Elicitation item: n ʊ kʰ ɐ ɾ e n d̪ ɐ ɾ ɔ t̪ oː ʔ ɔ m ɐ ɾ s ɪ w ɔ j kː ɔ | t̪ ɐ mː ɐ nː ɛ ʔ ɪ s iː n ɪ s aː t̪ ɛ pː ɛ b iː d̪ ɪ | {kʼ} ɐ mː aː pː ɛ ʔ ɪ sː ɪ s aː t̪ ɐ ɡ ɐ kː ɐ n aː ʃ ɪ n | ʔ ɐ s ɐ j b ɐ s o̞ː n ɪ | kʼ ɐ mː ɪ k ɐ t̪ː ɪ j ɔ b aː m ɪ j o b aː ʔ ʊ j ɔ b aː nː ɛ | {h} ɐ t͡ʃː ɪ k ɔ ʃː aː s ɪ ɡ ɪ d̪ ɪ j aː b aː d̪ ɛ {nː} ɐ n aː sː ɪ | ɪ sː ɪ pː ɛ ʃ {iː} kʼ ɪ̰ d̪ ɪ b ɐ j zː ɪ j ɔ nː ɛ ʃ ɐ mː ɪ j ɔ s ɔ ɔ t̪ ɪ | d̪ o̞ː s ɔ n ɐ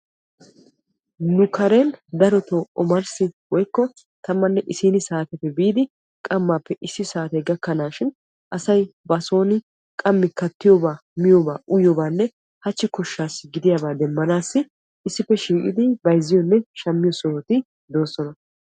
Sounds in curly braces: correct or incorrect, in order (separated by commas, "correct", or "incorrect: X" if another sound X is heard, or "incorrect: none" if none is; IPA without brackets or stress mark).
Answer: correct, correct, incorrect: mː, correct